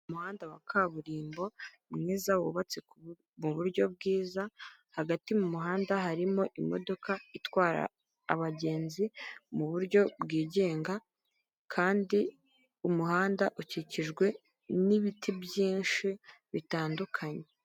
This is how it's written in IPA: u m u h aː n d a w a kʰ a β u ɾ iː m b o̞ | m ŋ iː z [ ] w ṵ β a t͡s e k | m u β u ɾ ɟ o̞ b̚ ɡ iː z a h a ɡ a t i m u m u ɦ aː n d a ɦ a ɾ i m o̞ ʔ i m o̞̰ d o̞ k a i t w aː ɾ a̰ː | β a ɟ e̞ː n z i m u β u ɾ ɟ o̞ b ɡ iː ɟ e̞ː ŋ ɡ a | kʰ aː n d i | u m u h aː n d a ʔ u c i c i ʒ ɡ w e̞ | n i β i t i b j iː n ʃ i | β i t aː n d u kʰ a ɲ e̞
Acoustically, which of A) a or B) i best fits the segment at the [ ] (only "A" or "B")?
A